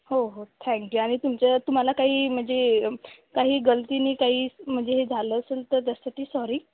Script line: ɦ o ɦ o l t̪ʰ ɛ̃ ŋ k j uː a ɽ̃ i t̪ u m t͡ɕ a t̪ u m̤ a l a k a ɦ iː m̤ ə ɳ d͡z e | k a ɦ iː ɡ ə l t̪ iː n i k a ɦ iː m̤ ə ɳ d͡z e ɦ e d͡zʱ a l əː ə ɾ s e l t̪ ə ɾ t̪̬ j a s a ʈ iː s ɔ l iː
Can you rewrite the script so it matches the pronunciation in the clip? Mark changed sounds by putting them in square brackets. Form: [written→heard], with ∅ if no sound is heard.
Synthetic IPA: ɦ o ɦ o [l→∅] t̪ʰ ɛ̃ ŋ k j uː a ɽ̃ i t̪ u m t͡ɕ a t̪ u m̤ a l a k a ɦ iː m̤ ə ɳ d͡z e | k a ɦ iː ɡ ə l t̪ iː n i k a ɦ iː m̤ ə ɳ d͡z e ɦ e d͡zʱ a l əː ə [ɾ→∅] s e l t̪ ə ɾ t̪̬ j a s a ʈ iː s ɔ [l→ɾ] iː